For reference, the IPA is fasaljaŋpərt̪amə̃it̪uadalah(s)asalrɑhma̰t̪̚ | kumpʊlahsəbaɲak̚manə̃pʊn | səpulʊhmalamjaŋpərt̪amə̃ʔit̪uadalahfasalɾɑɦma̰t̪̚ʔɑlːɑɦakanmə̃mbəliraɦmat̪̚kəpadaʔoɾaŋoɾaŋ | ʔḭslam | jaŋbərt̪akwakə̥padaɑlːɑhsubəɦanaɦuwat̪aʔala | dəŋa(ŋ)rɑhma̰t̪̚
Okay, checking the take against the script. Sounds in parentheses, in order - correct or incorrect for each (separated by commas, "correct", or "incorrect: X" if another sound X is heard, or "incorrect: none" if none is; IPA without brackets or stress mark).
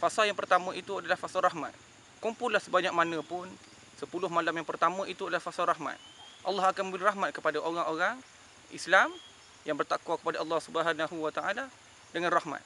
incorrect: f, incorrect: n